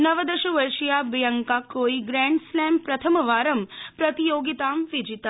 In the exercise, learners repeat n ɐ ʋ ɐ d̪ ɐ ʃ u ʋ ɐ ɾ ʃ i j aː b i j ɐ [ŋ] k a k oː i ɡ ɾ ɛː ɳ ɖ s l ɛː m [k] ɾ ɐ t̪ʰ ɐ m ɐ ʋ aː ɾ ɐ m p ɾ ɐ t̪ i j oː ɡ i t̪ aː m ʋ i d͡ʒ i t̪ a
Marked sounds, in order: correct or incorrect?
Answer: correct, incorrect

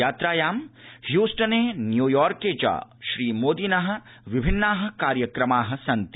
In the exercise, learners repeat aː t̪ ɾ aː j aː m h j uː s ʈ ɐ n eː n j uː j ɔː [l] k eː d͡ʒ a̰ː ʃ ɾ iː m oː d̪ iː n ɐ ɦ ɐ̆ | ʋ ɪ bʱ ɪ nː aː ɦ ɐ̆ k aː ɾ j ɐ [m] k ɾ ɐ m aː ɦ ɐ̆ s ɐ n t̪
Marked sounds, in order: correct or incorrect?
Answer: incorrect, incorrect

